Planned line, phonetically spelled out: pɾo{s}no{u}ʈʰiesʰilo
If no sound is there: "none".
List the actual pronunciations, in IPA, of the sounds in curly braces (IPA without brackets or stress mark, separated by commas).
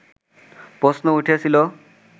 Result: s, u